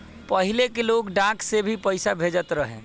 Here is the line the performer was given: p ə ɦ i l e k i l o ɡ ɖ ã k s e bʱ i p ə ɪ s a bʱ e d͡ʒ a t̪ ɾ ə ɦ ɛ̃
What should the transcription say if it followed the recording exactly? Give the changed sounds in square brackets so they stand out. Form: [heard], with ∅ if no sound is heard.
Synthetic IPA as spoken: p ə ɦ i l e k [e] l o ɡ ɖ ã k s e bʱ i p ə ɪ s a bʱ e d͡ʒ [ə] t̪ ɾ ə ɦ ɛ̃